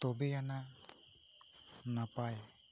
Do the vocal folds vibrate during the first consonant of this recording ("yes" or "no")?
no